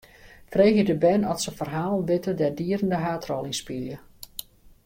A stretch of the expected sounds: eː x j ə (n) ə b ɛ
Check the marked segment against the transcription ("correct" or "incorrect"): incorrect